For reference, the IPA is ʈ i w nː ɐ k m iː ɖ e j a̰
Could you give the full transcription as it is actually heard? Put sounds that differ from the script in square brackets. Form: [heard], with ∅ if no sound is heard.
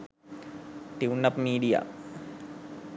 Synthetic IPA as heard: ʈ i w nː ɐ [p] m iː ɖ [i] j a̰